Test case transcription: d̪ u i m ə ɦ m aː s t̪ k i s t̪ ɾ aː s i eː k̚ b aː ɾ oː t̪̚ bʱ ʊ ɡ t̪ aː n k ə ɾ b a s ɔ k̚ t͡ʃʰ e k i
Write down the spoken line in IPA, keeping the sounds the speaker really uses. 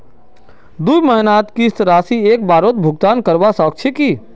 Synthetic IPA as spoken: d̪ u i m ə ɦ n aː t̪ k i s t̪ ɾ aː s i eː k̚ b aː ɾ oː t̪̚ bʱ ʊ ɡ t̪ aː n k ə ɾ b a s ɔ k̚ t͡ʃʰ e k i

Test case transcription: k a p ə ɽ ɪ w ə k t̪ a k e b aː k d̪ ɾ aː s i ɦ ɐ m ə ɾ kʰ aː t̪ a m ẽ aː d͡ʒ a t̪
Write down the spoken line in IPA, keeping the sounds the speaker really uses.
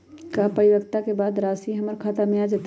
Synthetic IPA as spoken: k a p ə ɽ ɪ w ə k t̪ a k e b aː d̪ ɾ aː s i ɦ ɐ m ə ɾ kʰ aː t̪ a m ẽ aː d͡ʒ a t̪

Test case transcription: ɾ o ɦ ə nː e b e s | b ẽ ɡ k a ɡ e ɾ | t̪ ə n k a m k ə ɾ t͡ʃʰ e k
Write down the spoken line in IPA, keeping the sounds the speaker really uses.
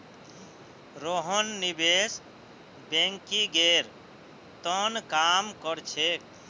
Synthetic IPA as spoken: ɾ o ɦ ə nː i b e s | b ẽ ŋ k i ɡ e ɾ | t̪ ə n k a m k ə ɾ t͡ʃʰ e k

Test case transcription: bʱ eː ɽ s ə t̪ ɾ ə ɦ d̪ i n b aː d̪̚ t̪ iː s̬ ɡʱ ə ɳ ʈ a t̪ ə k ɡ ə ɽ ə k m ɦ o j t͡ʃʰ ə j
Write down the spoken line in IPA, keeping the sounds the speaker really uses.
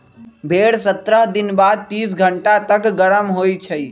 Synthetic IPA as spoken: bʱ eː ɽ s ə t̪ ɾ ə ɦ d̪ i n b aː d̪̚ t̪ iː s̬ ɡʱ ə ɳ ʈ a t̪ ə k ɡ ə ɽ ə m ɦ o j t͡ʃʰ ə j

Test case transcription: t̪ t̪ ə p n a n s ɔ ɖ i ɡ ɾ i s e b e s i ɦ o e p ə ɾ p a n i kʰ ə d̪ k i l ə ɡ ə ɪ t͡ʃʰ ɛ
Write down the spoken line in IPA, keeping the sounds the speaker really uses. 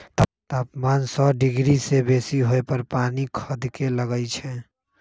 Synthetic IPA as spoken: t̪ t̪ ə p m a n s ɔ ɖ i ɡ ɾ i s e b e s i ɦ o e p ə ɾ p a n i kʰ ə d̪ k e l ə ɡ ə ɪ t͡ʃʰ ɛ

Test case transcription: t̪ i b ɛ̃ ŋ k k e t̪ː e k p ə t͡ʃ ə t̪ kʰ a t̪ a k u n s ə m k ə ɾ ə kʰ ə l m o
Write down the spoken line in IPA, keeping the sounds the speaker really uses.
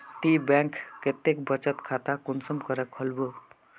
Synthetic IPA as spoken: t̪ i b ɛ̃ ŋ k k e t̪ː e k b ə t͡ʃ ə t̪ kʰ a t̪ a k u n s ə m k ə ɾ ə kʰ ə l b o

